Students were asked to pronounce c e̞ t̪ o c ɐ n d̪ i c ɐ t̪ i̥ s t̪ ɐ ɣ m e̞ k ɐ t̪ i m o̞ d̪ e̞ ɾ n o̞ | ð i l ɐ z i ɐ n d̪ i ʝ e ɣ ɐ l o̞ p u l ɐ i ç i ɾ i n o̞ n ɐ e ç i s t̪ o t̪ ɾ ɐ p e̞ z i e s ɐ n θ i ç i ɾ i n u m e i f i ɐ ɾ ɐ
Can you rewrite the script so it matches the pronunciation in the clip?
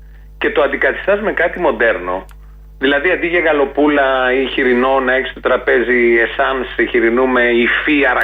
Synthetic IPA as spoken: c e̞ t̪ o ɐ n d̪ i k ɐ t̪ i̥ s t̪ ɐ z m e̞ k ɐ t̪ i m o̞ d̪ e̞ ɾ n o̞ | ð i l ɐ ð i ɐ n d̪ i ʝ e ɣ ɐ l o̞ p u l ɐ i ç i ɾ i n o̞ n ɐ e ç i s t̪ o t̪ ɾ ɐ p e̞ z i e s ɐ n s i ç i ɾ i n u m e i f i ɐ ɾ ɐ